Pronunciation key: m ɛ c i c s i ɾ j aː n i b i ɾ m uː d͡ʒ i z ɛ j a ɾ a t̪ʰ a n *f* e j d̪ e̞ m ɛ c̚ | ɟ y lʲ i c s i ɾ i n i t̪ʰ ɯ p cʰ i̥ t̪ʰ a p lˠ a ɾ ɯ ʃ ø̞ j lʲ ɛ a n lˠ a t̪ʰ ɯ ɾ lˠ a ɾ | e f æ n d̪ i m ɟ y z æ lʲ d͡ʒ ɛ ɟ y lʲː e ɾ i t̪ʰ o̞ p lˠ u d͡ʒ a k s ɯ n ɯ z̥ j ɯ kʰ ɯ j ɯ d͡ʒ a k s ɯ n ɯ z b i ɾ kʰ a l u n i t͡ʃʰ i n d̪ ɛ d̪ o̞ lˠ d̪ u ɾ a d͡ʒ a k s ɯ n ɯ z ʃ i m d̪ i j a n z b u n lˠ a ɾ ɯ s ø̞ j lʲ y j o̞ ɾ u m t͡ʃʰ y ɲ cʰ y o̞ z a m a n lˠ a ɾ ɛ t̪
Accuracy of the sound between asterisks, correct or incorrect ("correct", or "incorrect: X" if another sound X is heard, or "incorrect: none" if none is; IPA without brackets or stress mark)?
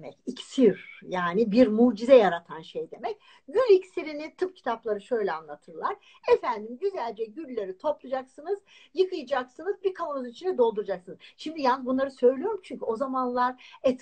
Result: incorrect: ʃ